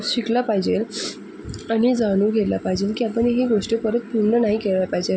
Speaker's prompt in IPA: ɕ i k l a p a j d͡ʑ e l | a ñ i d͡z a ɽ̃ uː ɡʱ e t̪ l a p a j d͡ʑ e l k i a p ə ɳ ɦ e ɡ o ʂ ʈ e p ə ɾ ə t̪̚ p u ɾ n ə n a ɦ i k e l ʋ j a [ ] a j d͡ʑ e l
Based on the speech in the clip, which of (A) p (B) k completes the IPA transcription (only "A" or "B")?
A